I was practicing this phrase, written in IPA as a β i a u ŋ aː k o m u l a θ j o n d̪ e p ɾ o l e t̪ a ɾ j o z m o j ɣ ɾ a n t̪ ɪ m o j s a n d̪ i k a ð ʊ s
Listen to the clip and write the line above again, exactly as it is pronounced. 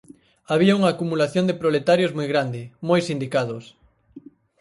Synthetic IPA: a β i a u ŋ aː k u m u l a θ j o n d̪ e p ɾ o l e t̪ a ɾ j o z m o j ɣ ɾ a n d̪ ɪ m o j s i n d̪ i k a ð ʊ s